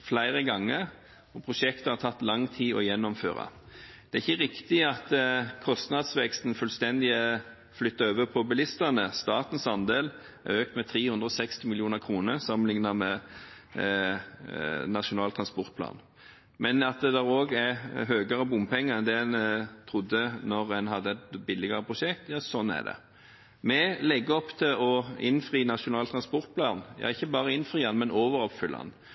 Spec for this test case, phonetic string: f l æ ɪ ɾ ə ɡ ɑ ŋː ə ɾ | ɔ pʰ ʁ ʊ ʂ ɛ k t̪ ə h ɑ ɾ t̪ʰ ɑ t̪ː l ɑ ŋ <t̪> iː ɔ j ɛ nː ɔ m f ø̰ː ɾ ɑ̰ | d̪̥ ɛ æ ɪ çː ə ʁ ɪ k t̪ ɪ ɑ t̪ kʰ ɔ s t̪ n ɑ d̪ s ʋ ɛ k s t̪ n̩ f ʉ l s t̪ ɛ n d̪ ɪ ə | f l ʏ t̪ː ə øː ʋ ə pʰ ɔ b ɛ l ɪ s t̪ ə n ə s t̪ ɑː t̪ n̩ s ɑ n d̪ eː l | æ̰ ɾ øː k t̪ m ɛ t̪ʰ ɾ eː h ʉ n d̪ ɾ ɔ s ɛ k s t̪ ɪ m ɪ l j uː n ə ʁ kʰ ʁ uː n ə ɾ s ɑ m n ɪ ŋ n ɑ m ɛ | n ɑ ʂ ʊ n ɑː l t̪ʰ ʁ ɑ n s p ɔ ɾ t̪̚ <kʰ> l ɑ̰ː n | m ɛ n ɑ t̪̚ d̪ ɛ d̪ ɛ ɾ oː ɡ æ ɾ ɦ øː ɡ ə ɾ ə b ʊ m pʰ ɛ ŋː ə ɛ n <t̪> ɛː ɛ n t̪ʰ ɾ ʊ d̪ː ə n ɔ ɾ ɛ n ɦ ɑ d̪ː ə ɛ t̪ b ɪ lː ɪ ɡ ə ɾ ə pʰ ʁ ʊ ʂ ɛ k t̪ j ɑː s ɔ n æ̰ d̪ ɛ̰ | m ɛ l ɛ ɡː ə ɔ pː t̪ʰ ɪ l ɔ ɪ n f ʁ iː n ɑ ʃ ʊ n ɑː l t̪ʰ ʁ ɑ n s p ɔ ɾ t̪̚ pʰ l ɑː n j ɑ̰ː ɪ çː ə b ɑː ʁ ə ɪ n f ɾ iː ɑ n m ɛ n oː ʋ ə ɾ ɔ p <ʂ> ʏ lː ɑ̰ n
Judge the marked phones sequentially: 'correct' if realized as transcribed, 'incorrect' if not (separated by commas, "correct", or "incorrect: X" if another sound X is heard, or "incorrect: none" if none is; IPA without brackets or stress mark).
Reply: incorrect: t̪ʰ, incorrect: pʰ, incorrect: d̪, incorrect: f